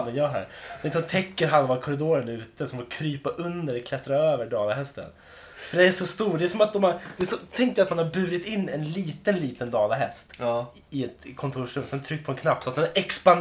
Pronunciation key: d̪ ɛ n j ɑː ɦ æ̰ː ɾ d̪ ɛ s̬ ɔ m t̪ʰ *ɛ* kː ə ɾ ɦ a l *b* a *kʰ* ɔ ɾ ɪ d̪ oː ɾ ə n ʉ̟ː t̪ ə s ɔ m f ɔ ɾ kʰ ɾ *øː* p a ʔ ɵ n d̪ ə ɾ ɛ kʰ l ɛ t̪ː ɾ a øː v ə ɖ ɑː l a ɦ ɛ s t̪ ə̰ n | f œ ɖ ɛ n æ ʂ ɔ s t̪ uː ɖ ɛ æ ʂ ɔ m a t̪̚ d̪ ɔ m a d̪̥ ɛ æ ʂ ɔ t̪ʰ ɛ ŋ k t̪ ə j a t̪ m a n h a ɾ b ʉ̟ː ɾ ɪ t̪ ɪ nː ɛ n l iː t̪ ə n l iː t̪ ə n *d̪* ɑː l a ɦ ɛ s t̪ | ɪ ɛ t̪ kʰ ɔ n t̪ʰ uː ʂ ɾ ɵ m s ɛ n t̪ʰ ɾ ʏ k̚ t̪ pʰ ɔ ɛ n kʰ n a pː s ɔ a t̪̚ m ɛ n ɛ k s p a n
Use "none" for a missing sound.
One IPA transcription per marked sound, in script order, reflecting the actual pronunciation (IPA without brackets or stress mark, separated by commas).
ɛ, v, kʰ, yː, d̪